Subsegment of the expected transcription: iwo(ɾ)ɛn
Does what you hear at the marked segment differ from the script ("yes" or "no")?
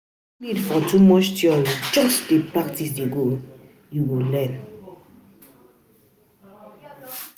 yes